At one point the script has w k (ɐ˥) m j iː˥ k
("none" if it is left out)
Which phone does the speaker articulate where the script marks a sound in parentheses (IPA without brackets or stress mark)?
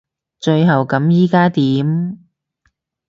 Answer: ɐ˨˥